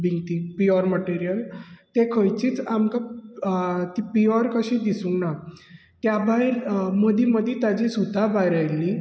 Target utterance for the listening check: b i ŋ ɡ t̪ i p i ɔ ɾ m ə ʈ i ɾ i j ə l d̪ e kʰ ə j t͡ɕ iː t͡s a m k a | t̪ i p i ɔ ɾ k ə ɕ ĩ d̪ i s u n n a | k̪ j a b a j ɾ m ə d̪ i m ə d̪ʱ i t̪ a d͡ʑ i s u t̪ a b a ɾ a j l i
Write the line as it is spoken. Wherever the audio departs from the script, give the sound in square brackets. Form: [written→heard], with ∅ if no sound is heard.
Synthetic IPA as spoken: b i ŋ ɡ t̪ i p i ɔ ɾ m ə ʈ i ɾ i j ə l [d̪→t̪] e kʰ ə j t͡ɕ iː t͡s a m k a | t̪ i p i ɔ ɾ k ə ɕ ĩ d̪ i s u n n a | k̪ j a b a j ɾ m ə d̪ i m ə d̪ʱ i t̪ a d͡ʑ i s u t̪ a b a ɾ a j l i